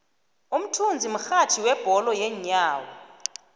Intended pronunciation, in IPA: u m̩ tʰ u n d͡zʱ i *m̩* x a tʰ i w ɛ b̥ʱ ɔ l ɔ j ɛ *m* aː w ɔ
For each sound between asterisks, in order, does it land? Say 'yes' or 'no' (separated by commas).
yes, no